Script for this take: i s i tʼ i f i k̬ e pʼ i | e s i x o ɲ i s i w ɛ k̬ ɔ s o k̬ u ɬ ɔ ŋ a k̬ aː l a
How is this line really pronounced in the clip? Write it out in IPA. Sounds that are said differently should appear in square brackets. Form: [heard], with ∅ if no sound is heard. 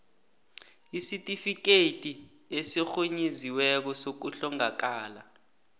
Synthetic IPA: i s i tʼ i f i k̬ e [tʼ] i | e s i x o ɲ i [z] i w ɛ k̬ ɔ s o k̬ u ɬ ɔ ŋ a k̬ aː l a